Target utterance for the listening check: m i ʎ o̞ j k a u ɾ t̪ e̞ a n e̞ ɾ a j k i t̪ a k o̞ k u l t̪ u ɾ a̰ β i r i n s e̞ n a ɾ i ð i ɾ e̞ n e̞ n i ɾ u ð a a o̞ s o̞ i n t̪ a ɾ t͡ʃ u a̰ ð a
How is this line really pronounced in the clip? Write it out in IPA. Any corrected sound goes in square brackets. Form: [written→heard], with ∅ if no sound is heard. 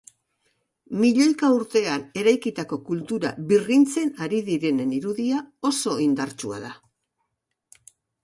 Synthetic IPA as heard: m i ʎ o̞ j k a u ɾ t̪ e̞ a n e̞ ɾ a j k i t̪ a k o̞ k u l t̪ u ɾ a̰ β i r i n [s→t͡s] e̞ n a ɾ i ð i ɾ e̞ n e̞ n i ɾ u ð [a→i] a o̞ s o̞ i n [t̪→d̪] a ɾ t͡ʃ u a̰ ð a